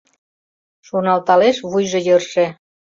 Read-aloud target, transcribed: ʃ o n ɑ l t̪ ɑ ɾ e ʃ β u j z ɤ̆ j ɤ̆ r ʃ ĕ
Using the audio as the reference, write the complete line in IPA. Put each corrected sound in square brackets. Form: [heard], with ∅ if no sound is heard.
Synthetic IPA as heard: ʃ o n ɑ l t̪ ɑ [l] e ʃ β u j [ʒ] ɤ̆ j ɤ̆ r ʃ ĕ